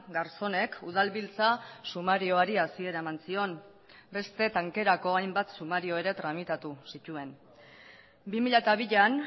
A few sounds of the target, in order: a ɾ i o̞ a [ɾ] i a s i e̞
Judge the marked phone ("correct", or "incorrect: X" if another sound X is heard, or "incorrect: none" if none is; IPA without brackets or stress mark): correct